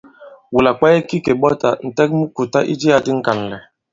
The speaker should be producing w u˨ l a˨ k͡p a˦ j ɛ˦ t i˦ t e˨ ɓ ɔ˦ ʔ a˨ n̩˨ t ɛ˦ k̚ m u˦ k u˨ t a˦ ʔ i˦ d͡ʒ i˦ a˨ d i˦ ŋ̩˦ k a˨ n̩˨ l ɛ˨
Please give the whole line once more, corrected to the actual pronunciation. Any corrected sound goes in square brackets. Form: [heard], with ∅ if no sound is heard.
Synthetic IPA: w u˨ l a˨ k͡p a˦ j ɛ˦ [k] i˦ [k] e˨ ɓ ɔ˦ [t] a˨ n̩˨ t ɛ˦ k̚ m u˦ k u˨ t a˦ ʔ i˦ d͡ʒ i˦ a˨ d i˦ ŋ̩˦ k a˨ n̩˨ l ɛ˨